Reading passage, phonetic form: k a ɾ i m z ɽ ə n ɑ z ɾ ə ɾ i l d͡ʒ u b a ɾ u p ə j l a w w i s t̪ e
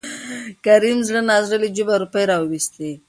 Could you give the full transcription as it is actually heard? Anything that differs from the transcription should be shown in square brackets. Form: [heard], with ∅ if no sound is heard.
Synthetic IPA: k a ɾ i m z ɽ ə n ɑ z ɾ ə [l] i [∅] d͡ʒ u b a ɾ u p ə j [ɾ] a w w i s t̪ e